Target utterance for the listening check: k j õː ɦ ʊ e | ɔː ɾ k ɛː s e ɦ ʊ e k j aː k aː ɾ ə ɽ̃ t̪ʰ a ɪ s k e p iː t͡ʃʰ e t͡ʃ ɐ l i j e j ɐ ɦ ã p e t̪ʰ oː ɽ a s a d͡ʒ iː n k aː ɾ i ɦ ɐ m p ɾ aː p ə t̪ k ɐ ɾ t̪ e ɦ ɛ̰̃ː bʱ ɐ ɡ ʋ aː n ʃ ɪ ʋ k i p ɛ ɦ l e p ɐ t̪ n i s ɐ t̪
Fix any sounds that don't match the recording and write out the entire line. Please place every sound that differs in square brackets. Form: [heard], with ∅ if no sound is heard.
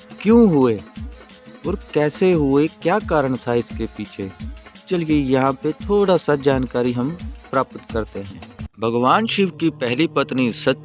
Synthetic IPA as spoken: k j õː ɦ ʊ e | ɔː ɾ k ɛː s e ɦ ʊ e k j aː k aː ɾ ə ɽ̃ t̪ʰ a ɪ s k e p iː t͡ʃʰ e t͡ʃ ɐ l i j e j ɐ ɦ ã p e t̪ʰ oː ɽ a s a d͡ʒ [aː] n k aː ɾ i ɦ ɐ m p ɾ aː p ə t̪ k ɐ ɾ t̪ e ɦ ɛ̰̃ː bʱ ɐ ɡ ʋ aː n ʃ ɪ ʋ k i p ɛ ɦ l [i] p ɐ t̪ n i s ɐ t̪